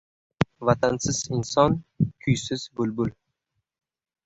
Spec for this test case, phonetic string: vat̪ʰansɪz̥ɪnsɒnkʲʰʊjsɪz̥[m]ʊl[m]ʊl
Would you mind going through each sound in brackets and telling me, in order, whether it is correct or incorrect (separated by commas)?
incorrect, incorrect